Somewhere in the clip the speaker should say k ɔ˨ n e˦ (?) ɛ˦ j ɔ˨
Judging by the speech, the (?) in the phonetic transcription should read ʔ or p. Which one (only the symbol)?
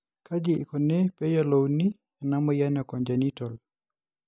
p